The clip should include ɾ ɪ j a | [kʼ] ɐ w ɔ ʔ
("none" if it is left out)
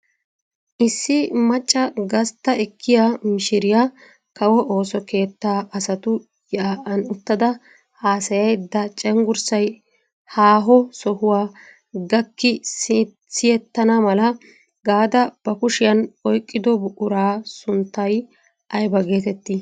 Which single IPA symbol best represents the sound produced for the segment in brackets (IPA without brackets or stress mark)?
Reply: k